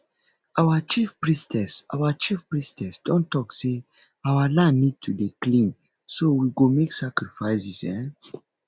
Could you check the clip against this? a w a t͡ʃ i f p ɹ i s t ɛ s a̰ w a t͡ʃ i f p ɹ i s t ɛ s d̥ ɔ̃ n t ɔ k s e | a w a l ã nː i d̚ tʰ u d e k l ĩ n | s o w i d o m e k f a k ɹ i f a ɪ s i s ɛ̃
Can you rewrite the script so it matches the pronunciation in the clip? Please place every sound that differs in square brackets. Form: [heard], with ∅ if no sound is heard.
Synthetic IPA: a w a t͡ʃ i f p ɹ i s t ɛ s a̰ w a t͡ʃ i f p ɹ i s t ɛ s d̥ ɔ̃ n t ɔ k s e | a w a l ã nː i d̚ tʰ u d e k l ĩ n | s o w i [ɡ] o m e k [s] a k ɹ i f a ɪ s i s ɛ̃

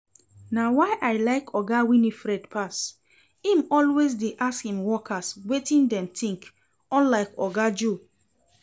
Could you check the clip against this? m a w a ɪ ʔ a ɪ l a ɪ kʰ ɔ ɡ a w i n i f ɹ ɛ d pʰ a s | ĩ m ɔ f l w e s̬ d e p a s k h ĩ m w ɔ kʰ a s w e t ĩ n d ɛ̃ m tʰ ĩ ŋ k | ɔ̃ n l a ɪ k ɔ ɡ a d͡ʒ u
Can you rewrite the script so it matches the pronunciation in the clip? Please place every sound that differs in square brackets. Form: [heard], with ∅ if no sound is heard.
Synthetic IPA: [n] a w a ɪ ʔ a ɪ l a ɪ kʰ ɔ ɡ a w i n i f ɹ ɛ d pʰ a s | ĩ m ɔ [∅] l w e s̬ d e [ʔ] a s k h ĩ m w ɔ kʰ a s w e t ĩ n d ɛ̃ m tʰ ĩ ŋ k | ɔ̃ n l a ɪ k ɔ ɡ a d͡ʒ u

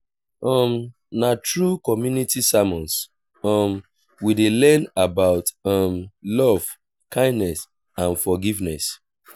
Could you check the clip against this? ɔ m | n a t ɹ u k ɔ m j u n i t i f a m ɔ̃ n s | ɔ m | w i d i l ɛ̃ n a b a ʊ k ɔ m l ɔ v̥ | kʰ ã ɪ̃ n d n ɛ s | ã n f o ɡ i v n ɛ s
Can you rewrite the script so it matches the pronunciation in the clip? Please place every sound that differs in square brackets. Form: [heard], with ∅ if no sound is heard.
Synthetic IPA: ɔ m | n a t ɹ u k ɔ m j u n i t i [s] a m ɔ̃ n s | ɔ m | w i d [e] l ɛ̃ n a b a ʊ [t] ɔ m l ɔ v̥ | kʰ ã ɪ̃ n d n ɛ s | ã n f [ɔ] ɡ i v n ɛ s

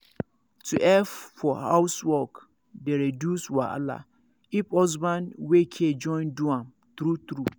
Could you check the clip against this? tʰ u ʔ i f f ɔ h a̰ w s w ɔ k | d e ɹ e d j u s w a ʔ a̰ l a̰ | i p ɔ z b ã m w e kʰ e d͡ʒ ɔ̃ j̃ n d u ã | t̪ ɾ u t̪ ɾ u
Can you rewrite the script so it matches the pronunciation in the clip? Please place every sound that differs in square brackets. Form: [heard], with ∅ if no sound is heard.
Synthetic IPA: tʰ u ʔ [ɛ] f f ɔ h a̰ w s w ɔ k | d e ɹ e d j u s w a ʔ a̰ l a̰ | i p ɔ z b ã [n] w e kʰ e d͡ʒ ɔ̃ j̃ n d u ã | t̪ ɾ u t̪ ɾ u

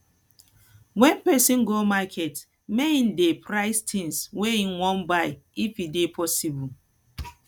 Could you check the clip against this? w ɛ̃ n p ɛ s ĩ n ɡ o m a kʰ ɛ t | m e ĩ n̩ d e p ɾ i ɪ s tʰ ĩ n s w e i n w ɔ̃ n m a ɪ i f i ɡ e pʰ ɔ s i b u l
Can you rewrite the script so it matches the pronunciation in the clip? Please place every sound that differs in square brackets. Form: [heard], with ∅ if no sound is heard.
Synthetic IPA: w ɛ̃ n p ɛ s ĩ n ɡ o m a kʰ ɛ t | m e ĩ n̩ d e p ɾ [a] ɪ s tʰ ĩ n s w e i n w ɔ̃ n [b] a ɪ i f i [d] e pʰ ɔ s i b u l

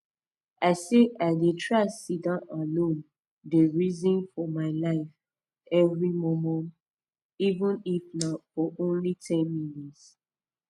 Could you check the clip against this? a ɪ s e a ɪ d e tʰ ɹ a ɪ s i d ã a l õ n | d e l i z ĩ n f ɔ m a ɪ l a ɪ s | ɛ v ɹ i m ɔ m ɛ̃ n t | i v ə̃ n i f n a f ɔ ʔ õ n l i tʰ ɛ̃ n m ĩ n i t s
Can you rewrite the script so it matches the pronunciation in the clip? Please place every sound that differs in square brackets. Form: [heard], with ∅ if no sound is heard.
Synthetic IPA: a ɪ s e a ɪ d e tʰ ɹ a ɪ s i d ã a l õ n | d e [ɹ] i z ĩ n f ɔ m a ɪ l a ɪ [f] | ɛ v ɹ i m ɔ m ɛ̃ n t | i v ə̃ n i f n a f ɔ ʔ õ n l i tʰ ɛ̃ n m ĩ n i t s

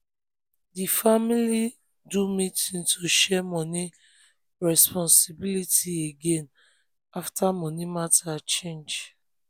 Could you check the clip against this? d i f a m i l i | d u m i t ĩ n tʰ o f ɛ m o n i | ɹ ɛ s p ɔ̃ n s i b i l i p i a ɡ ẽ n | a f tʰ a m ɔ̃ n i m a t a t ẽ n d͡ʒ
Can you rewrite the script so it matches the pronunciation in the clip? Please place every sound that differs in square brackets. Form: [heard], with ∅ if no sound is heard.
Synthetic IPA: d i f a m i l i | d u m i t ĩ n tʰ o [ʃ] ɛ m [ɔ] n i | ɹ ɛ s p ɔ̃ n s i b i l i [t] i [e] ɡ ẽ n | a f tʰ a m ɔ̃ n i m a t a [t͡ʃ] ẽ n d͡ʒ

